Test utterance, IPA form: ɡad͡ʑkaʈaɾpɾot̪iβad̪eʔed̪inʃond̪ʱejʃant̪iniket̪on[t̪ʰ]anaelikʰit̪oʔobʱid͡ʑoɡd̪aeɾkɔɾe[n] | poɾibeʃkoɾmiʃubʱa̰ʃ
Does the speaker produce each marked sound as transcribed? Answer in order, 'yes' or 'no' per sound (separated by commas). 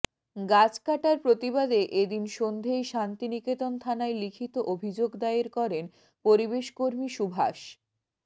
yes, yes